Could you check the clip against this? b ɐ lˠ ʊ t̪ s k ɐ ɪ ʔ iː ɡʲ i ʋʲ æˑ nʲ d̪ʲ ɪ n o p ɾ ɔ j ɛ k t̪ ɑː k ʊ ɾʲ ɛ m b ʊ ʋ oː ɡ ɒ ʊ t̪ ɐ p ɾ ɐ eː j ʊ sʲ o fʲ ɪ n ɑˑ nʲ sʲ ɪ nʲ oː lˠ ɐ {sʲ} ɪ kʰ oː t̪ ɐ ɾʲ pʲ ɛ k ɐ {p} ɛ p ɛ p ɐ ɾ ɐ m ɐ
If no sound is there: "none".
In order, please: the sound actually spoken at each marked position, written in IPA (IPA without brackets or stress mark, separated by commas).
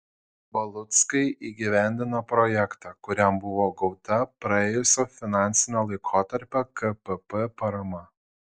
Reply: none, p